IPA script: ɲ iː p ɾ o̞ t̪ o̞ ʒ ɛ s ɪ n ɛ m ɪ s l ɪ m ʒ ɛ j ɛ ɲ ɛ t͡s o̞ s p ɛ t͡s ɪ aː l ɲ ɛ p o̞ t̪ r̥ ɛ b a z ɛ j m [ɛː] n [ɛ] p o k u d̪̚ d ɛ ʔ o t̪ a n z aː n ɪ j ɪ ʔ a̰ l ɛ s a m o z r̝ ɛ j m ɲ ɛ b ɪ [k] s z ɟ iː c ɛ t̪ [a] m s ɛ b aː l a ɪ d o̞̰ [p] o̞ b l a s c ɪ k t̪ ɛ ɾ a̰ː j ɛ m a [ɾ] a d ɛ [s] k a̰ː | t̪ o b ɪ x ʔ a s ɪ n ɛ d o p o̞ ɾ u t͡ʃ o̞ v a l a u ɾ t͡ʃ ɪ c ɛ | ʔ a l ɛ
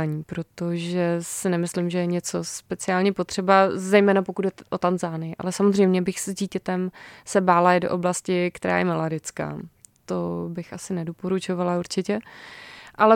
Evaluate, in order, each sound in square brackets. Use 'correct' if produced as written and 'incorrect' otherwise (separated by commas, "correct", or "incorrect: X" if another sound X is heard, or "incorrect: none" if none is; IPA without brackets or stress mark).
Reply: correct, incorrect: a, incorrect: x, incorrect: ɛ, incorrect: ʔ, incorrect: l, incorrect: t͡s